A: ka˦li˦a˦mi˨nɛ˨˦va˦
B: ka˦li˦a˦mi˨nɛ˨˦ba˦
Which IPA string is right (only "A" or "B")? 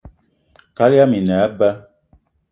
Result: B